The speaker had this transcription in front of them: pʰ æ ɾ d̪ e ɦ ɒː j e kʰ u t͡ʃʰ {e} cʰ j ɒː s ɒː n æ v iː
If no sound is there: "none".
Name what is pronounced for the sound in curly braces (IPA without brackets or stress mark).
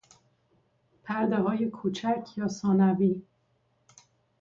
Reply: æ